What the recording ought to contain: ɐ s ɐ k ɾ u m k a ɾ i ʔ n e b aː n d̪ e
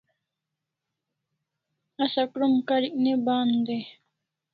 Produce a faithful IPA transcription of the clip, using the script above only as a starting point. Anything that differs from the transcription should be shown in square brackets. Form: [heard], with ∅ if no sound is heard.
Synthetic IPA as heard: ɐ s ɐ k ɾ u m k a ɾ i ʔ n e b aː n d̪ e